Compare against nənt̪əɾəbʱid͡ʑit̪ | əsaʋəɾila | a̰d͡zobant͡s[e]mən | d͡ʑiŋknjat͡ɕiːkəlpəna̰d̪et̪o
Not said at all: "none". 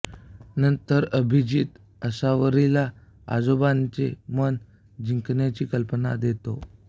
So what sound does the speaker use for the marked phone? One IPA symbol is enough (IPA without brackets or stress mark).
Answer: e